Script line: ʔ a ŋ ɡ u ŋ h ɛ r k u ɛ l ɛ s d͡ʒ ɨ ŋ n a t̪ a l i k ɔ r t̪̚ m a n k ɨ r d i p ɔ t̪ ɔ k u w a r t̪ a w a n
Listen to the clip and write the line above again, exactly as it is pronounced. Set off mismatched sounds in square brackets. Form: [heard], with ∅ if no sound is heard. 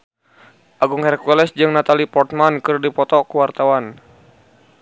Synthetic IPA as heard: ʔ a [∅] ɡ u ŋ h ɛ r k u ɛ l ɛ s d͡ʒ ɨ ŋ n a t̪ a l i [p] ɔ r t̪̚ m a n k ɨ r d i p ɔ t̪ ɔ k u w a r t̪ a w a n